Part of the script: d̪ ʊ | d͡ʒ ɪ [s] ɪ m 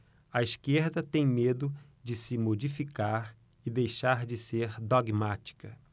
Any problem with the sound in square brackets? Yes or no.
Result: no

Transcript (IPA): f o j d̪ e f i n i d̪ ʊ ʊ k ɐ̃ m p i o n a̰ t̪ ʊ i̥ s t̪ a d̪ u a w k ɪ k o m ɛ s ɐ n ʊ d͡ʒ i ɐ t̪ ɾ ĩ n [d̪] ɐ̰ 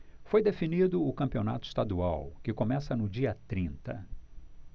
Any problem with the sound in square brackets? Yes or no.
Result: yes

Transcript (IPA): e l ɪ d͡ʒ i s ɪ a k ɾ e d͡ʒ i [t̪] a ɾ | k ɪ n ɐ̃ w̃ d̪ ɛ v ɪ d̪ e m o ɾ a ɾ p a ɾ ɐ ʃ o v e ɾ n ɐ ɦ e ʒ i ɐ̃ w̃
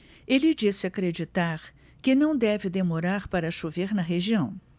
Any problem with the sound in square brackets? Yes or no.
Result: no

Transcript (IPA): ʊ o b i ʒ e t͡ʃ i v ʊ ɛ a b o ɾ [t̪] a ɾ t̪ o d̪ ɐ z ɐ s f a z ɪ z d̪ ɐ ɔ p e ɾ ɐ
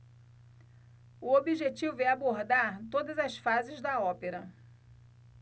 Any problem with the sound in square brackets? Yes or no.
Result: yes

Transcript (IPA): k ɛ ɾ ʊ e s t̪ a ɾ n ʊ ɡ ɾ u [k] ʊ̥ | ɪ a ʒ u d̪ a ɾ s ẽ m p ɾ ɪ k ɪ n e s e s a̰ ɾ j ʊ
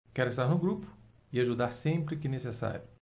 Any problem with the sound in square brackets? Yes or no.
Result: yes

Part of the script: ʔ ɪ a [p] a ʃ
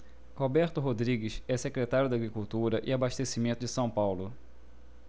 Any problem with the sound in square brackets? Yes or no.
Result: yes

